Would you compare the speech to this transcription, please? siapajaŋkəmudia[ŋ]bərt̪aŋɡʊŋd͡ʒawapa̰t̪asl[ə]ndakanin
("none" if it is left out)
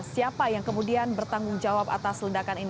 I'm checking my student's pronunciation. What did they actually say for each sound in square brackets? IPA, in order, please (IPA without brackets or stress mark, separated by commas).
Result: n, ə